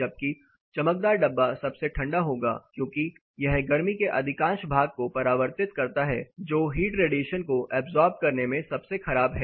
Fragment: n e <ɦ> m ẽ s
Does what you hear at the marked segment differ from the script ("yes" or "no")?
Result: yes